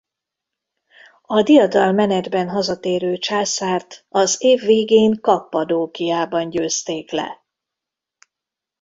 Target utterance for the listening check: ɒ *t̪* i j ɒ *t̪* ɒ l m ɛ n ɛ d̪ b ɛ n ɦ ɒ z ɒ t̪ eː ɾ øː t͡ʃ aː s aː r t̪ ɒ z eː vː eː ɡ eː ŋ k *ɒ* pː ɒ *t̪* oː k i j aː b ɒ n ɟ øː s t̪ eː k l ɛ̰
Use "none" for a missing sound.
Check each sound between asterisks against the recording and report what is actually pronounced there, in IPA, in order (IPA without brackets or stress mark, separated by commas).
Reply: d̪, d̪, ɒ, d̪